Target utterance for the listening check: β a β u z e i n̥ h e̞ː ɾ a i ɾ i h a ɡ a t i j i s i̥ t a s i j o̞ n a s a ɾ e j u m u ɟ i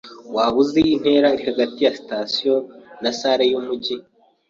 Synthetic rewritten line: w a β u z e i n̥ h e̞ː ɾ a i ɾ i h a ɡ a t i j a s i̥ t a s i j o̞ n a s a ɾ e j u m u ɟ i